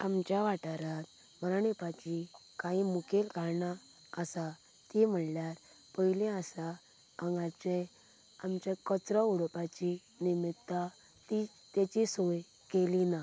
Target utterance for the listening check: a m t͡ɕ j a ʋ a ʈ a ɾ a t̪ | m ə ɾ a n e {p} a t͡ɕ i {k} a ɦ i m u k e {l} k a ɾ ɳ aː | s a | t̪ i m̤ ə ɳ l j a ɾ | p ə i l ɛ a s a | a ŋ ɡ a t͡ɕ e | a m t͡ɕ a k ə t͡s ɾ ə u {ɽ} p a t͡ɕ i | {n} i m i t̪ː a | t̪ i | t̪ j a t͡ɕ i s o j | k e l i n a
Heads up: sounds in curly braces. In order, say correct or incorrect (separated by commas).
correct, correct, correct, correct, correct